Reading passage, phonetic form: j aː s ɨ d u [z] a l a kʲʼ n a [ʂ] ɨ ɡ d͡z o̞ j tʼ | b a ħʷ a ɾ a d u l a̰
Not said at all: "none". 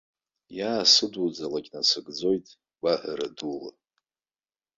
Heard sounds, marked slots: d͡z, s

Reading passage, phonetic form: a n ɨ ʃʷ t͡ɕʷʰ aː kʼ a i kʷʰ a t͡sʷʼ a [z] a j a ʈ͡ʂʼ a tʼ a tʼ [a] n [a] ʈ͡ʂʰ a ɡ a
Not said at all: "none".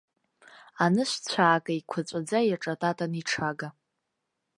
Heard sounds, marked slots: d͡z, a, i

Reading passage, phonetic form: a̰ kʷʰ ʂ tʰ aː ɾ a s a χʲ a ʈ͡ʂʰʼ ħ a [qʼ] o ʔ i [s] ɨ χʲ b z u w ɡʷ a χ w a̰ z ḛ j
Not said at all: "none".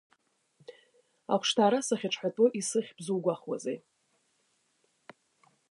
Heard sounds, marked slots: tʼ, s

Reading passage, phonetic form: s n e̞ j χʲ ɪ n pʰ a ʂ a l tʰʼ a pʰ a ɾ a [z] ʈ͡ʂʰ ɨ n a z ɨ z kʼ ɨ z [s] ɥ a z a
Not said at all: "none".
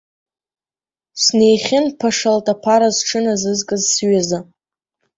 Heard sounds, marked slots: z, s

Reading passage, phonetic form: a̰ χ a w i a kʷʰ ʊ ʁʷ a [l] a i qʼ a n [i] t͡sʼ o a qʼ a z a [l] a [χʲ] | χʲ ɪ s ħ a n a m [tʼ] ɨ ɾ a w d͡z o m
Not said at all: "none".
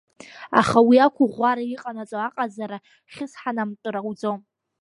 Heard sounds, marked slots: ɾ, a, ɾ, none, tʼ

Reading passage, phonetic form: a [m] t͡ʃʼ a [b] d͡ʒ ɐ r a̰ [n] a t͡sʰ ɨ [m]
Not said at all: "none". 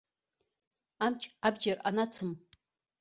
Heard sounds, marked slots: m, b, n, m

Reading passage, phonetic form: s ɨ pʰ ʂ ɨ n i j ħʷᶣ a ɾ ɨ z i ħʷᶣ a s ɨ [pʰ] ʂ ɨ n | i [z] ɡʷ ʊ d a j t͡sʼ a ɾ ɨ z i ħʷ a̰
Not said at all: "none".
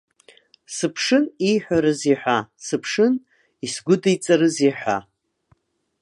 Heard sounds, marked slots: pʰ, s

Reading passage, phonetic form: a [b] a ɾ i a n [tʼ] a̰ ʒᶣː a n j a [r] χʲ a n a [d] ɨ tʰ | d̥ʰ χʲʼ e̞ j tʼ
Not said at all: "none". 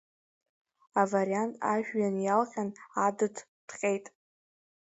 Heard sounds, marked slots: v, tʼ, l, d

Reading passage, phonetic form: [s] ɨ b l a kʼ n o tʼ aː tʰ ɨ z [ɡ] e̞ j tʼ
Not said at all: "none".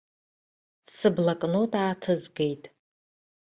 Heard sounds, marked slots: s, ɡ

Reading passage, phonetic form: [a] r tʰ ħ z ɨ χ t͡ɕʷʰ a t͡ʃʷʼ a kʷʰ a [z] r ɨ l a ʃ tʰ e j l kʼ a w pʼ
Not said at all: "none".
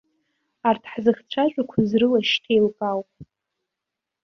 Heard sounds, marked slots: a, z

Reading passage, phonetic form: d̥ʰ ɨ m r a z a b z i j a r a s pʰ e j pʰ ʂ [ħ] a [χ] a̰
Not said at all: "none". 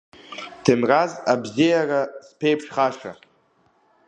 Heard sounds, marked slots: χ, ʂ

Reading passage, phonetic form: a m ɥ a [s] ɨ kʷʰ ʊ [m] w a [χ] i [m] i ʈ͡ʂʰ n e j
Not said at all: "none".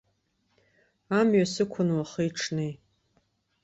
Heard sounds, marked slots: s, n, χ, none

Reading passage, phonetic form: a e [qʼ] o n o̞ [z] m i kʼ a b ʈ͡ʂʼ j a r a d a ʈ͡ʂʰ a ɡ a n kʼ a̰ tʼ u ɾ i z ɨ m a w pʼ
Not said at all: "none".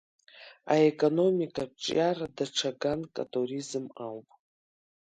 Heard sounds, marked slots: kʼ, none

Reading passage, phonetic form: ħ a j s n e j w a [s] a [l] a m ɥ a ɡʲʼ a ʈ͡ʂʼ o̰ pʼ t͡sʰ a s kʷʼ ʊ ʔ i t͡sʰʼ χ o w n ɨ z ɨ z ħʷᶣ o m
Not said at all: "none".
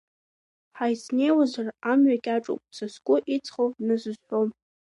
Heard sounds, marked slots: z, r

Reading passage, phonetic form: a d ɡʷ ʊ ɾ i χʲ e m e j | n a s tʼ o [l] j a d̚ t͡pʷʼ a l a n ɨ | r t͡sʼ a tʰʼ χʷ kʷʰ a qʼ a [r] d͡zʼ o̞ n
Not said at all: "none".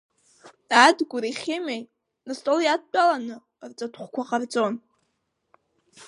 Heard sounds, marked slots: l, r

